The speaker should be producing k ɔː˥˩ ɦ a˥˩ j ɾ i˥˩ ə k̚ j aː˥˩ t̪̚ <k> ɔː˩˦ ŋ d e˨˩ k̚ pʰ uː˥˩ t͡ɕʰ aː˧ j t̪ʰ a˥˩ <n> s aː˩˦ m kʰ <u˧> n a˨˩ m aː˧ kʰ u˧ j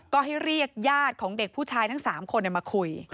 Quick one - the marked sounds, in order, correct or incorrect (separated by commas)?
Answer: incorrect, incorrect, incorrect